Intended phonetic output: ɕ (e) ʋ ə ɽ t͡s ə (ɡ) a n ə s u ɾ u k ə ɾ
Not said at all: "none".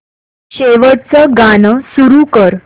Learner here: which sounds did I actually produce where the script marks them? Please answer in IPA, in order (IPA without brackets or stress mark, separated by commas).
e, ɡ